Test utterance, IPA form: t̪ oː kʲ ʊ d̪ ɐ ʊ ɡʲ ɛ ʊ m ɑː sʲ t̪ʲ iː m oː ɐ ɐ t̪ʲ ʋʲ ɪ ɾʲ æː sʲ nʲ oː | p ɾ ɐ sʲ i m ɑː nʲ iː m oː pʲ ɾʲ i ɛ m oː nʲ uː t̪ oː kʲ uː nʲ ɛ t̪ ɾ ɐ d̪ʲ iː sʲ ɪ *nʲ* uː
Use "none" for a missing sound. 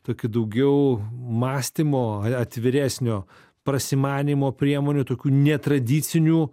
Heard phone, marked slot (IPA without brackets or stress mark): nʲ